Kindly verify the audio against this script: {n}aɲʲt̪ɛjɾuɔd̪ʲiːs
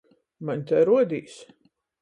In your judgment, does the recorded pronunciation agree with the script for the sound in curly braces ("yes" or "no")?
no